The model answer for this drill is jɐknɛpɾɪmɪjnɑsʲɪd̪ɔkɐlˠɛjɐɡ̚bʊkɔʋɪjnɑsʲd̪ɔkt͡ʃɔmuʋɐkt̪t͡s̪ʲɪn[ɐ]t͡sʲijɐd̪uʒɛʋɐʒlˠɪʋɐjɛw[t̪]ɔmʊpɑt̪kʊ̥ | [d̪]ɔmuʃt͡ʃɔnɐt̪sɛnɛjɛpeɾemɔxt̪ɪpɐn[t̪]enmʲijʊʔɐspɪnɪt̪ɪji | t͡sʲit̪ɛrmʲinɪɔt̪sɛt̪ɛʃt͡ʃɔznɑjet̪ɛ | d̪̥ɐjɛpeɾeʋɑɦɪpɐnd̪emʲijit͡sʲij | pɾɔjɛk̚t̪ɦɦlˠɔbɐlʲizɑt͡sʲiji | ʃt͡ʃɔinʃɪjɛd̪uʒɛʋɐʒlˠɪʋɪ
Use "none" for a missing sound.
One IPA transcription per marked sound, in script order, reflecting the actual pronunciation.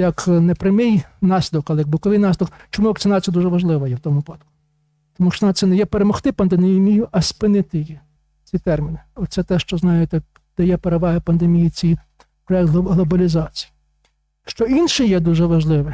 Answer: ɑ, t̪, t̪, d̪

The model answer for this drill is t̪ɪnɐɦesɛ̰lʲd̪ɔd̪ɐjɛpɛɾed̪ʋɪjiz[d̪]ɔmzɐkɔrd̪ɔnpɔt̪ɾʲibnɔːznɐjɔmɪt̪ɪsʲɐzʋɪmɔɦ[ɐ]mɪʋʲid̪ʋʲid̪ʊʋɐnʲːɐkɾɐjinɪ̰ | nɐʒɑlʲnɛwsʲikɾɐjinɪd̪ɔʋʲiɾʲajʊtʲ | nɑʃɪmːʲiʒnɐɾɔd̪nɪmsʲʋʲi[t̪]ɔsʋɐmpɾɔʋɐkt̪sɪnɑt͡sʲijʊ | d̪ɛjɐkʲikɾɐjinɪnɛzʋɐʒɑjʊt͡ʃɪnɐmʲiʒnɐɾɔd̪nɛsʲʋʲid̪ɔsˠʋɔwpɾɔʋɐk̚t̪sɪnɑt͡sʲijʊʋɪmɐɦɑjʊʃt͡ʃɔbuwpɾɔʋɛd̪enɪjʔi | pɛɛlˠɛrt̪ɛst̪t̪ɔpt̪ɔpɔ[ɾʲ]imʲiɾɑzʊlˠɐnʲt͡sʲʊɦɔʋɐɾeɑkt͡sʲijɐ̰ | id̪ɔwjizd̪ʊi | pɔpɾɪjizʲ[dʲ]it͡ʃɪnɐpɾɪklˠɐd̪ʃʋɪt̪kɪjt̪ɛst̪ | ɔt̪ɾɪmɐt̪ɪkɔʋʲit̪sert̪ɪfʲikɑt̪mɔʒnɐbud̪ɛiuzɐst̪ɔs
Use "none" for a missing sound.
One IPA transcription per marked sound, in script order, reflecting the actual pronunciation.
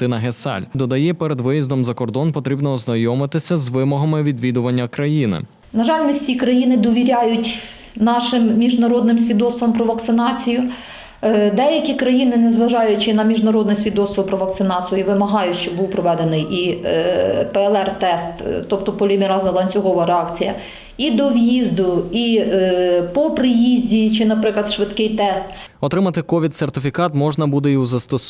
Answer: d̪, ɐ, d̪, lʲ, dʲ

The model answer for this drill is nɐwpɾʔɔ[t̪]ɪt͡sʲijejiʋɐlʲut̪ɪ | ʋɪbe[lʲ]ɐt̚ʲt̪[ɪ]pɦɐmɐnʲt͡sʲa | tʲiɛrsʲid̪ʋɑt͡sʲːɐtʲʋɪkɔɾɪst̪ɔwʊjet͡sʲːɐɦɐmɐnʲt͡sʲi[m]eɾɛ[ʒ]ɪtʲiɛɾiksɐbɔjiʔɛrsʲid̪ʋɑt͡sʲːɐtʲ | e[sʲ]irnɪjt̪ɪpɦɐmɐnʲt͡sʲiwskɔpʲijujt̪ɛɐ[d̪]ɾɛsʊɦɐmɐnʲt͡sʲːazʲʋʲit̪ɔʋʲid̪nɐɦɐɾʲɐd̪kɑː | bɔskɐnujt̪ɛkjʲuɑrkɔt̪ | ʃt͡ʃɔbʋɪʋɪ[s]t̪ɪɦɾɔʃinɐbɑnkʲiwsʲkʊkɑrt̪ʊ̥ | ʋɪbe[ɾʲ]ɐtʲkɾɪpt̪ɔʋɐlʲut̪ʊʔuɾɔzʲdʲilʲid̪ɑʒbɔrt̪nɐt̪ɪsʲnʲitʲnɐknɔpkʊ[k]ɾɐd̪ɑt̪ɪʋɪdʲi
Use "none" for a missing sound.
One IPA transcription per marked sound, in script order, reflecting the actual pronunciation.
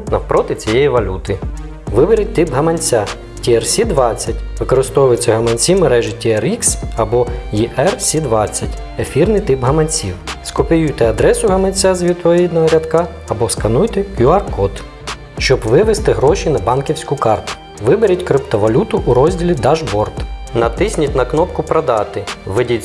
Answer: t̪, ɾʲ, ɪ, m, ʒ, fʲ, d̪, s, ɾʲ, p

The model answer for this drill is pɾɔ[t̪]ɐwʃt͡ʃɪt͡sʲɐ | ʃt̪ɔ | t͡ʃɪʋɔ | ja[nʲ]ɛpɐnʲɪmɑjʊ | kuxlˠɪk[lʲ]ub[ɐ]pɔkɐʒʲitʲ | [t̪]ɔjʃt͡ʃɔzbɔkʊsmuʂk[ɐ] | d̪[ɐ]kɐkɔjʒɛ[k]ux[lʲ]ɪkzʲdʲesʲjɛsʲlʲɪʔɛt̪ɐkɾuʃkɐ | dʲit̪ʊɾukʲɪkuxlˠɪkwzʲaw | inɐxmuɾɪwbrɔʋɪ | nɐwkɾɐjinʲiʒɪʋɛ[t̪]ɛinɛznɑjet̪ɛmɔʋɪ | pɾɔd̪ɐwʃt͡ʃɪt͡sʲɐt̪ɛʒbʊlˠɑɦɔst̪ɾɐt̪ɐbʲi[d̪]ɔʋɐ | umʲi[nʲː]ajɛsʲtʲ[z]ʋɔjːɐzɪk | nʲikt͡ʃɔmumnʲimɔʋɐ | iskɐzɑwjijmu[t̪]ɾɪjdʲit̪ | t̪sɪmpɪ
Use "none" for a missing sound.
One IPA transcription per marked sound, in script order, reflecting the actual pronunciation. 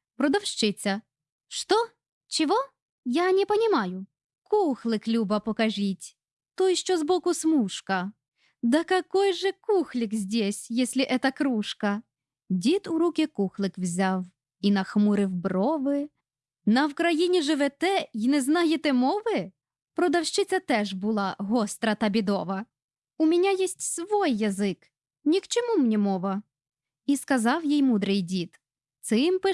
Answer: d̪, nʲ, lʲ, ɐ, t̪, ɐ, ɐ, k, lʲ, t̪, d̪, nʲ, s, d̪

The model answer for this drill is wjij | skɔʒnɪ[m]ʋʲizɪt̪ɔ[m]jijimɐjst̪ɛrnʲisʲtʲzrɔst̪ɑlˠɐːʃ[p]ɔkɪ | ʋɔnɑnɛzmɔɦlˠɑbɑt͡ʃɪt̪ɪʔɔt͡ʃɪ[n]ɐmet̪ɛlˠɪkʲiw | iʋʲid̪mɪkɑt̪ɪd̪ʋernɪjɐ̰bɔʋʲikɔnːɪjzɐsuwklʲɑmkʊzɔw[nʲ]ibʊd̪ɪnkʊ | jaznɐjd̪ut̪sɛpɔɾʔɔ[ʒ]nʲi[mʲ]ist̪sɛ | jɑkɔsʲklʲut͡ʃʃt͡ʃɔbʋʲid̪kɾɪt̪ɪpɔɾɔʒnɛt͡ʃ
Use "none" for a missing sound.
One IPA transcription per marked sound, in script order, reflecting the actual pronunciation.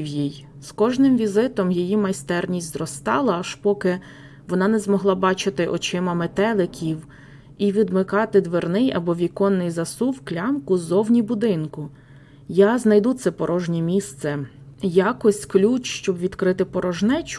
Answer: m, m, p, m, nʲ, ʒ, mʲ

